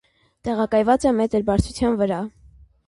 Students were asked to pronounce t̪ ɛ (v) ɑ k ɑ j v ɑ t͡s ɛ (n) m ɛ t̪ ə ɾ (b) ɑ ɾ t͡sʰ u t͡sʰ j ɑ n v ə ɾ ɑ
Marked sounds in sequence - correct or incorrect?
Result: incorrect: ʁ, incorrect: none, correct

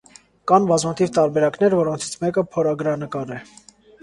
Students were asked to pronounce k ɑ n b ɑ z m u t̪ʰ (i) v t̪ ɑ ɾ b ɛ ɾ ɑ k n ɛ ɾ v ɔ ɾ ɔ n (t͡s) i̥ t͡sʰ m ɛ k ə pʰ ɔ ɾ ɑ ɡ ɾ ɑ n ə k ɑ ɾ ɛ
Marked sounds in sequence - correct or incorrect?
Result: correct, incorrect: t͡sʰ

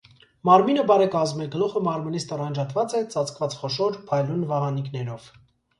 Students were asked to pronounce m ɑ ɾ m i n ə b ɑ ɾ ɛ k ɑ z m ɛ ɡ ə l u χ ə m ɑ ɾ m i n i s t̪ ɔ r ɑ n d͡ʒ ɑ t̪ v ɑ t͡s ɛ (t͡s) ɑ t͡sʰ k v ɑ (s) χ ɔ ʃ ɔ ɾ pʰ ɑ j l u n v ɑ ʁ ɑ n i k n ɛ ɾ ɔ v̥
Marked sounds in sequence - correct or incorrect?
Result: correct, incorrect: t͡s

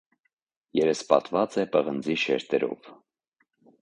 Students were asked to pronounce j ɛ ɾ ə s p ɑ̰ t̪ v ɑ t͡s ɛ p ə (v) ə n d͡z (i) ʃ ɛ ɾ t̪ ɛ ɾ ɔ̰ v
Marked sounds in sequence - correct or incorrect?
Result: incorrect: ʁ, correct

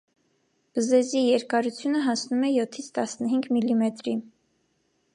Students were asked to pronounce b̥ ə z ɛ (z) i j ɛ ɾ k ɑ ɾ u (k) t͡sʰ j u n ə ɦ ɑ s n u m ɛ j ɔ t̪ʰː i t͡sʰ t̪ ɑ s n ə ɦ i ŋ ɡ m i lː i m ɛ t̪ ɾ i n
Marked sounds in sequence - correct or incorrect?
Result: correct, incorrect: none

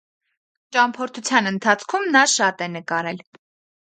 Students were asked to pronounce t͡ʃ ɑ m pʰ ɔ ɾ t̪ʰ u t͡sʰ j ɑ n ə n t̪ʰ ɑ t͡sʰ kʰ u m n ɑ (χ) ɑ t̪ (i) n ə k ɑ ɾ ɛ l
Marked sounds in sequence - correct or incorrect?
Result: incorrect: ʃ, incorrect: ɛ

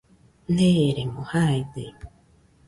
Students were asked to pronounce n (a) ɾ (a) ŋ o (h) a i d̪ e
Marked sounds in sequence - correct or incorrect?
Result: incorrect: e, incorrect: e, correct

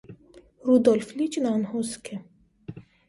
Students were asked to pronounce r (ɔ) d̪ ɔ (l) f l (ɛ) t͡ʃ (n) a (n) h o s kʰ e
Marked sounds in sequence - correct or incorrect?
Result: incorrect: u, correct, incorrect: i, correct, correct

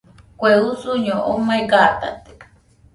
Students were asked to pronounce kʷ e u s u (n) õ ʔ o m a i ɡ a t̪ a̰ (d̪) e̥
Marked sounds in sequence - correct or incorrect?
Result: incorrect: ɲ, incorrect: t̪

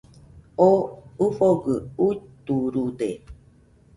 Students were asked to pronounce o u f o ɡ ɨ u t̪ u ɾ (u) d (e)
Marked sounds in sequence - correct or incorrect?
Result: correct, correct

